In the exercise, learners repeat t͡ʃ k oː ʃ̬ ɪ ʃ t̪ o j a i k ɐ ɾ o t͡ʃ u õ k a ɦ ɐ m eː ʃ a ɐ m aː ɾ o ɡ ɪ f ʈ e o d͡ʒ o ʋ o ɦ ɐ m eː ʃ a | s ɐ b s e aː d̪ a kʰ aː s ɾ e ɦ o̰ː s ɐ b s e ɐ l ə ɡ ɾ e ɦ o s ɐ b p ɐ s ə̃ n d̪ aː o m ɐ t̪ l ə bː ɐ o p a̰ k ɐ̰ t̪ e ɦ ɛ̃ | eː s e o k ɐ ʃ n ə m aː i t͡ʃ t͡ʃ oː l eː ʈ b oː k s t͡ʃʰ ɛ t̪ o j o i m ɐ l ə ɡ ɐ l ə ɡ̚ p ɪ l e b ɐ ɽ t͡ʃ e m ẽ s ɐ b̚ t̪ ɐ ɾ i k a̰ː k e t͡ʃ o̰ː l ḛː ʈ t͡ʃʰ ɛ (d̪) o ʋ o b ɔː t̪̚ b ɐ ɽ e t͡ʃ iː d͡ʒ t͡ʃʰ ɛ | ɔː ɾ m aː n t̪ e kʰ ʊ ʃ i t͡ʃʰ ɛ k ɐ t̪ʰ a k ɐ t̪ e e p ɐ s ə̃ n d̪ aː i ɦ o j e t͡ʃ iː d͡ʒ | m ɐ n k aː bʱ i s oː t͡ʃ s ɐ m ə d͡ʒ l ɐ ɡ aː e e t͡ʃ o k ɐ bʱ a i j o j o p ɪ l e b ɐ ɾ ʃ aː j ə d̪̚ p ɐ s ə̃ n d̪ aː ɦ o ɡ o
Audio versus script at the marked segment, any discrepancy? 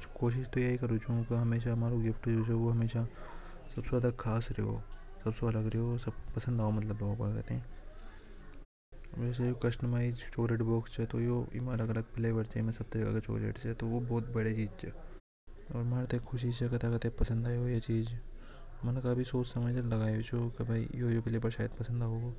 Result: yes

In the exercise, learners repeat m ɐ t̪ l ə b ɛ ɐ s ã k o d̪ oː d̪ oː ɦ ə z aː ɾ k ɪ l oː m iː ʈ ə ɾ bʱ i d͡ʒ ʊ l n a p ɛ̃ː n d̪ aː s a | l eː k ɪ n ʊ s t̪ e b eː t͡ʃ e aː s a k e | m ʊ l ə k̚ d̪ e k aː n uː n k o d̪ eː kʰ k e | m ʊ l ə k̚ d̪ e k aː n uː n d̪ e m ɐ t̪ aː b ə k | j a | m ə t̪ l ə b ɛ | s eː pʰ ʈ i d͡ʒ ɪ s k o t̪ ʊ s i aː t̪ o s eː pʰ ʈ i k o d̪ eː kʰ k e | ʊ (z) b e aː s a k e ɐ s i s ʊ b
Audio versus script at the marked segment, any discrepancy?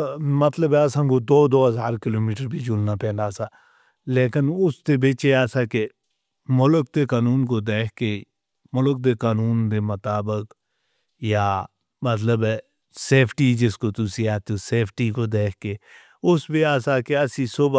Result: yes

